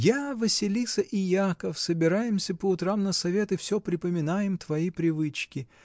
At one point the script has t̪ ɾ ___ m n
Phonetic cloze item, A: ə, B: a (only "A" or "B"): B